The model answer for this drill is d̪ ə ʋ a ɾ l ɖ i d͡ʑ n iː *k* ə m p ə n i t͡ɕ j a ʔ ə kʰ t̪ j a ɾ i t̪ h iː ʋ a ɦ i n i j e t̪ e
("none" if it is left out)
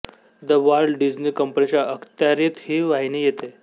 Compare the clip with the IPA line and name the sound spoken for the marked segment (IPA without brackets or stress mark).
k